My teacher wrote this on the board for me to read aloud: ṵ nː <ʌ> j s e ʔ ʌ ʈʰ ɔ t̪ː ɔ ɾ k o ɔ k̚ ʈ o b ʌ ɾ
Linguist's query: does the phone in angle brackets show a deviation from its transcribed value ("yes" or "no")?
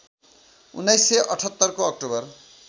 yes